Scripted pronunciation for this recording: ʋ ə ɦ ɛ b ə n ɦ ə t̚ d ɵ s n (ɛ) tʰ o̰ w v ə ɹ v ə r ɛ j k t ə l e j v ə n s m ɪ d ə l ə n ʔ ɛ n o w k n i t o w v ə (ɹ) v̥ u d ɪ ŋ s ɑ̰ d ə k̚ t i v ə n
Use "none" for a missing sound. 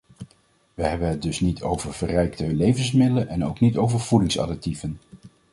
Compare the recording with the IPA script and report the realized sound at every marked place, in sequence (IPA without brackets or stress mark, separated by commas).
i, ɹ